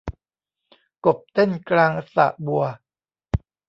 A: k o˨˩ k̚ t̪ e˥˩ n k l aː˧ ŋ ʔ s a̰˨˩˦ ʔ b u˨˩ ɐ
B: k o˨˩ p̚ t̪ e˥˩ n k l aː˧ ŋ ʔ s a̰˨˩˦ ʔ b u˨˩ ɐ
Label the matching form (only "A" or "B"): B